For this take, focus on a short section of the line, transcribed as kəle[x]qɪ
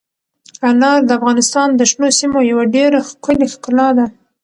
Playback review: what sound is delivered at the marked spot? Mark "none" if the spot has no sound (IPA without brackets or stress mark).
x